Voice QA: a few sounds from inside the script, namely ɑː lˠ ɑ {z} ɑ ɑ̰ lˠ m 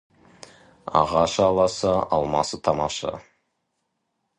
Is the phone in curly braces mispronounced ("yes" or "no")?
yes